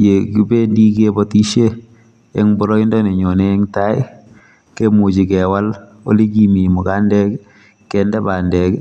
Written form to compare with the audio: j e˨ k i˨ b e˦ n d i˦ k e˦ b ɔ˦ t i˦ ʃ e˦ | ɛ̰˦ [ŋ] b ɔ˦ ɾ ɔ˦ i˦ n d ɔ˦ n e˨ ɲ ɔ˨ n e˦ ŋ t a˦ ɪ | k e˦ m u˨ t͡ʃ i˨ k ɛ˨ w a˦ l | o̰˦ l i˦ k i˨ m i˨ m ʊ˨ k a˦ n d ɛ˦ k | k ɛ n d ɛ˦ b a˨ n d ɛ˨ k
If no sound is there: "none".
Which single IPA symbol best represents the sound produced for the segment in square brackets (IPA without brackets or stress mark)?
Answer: ŋ